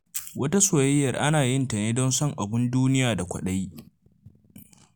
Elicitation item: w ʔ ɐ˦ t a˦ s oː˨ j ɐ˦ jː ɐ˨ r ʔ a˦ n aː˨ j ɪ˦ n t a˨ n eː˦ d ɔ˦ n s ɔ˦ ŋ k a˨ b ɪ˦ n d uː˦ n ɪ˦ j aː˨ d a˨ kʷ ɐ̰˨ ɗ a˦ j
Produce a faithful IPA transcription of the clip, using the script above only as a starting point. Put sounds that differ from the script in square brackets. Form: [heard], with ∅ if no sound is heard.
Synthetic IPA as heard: w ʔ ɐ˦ t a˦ s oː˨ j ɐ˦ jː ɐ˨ r ʔ a˦ n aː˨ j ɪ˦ n t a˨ n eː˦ d ɔ˦ n s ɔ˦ ŋ [ʔ] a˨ b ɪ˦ n d uː˦ n ɪ˦ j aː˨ d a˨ kʷ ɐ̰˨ ɗ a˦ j